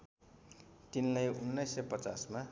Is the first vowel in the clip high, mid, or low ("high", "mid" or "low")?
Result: high